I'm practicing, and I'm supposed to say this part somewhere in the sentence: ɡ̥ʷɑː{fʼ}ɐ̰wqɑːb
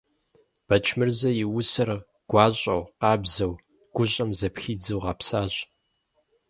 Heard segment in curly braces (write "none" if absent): ɕʼ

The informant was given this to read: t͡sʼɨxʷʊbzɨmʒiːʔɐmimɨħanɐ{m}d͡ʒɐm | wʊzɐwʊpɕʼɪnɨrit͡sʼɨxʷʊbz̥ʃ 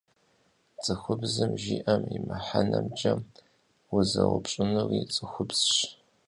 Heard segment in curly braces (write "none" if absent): m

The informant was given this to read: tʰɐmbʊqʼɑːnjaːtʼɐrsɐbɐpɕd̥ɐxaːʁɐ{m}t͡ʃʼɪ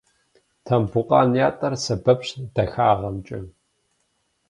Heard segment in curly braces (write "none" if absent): m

